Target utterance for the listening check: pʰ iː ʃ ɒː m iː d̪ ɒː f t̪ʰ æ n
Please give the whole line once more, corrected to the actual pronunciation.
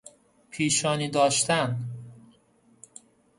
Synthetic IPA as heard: pʰ iː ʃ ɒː n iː d̪ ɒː ʃ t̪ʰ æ n